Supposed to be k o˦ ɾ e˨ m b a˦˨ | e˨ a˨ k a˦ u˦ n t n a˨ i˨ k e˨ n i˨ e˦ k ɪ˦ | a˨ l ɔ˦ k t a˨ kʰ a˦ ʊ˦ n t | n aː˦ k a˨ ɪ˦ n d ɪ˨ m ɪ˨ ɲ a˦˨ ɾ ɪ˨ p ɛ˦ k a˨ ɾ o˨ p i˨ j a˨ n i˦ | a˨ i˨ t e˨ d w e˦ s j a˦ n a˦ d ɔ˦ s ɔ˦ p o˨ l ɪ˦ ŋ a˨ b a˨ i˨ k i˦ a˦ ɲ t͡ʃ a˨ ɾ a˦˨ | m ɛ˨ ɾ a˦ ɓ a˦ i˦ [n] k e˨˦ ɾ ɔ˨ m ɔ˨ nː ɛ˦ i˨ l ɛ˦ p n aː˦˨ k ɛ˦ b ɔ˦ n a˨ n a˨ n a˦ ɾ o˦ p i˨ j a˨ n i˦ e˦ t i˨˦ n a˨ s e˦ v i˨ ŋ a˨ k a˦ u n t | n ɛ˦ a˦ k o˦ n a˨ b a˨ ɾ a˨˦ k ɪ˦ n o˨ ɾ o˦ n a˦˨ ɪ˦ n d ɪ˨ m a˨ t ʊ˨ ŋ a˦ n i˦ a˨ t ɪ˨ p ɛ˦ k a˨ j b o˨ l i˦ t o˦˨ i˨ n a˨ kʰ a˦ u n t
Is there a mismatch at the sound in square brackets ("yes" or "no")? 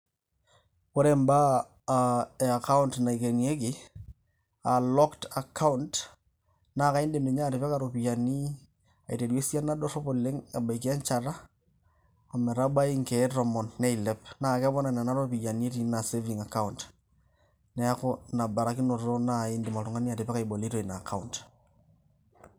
yes